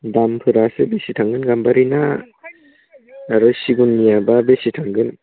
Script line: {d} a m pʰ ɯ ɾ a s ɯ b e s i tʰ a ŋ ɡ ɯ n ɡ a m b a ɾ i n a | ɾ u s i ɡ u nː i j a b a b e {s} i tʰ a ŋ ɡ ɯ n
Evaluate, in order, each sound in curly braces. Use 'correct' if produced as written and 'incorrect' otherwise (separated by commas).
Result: correct, correct